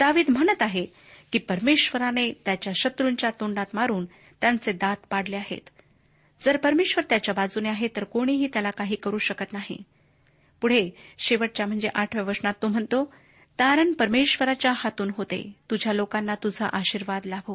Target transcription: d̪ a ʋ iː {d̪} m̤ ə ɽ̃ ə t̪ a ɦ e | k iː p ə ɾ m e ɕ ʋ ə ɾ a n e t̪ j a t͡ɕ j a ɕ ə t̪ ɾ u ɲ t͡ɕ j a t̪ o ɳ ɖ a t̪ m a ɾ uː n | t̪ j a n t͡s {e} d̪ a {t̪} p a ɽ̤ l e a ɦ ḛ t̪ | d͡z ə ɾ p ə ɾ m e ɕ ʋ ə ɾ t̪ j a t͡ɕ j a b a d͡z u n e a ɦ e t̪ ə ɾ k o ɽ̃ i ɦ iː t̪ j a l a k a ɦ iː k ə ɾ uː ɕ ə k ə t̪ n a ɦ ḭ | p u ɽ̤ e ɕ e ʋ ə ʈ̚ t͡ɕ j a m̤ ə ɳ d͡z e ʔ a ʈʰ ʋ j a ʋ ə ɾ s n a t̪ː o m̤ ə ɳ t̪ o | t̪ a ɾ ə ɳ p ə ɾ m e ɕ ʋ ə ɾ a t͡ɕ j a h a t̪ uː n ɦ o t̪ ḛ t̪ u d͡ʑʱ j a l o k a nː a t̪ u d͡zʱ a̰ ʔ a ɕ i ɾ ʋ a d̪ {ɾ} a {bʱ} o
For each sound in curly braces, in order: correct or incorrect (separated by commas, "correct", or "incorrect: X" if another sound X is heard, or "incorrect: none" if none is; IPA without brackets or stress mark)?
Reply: correct, correct, correct, incorrect: l, correct